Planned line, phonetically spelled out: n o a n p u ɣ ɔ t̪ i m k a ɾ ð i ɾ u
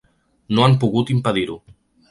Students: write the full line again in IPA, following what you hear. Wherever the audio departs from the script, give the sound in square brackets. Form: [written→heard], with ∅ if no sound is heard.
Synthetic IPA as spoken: n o a [n→m] p u ɣ [ɔ→u] t̪ i m [k→p] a [ɾ→∅] ð i ɾ u